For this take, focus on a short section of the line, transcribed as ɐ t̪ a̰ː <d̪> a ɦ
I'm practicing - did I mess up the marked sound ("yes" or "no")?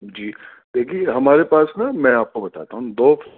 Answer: yes